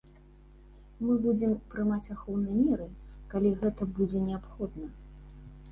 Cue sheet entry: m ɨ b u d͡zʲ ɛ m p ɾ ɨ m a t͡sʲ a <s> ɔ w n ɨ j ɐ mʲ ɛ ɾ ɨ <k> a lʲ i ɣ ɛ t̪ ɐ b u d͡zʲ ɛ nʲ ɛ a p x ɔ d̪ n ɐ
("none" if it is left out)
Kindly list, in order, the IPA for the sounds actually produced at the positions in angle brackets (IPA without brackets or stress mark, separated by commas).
x, k